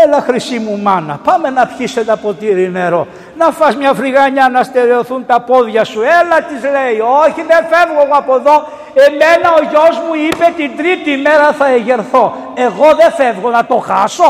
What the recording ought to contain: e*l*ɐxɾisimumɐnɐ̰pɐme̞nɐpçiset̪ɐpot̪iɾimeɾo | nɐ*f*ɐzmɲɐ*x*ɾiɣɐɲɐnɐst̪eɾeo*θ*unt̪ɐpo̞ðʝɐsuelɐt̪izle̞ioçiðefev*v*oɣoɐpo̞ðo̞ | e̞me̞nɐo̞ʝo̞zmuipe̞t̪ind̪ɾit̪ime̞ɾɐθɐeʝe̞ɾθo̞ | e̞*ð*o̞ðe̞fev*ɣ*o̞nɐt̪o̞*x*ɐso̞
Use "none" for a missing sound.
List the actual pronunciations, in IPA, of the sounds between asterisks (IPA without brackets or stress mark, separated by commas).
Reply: l, f, f, θ, ɣ, ɣ, ɣ, x